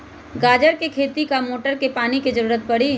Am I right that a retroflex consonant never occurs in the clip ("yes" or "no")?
no